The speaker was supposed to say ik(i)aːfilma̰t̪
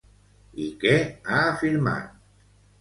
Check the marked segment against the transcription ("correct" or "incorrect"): incorrect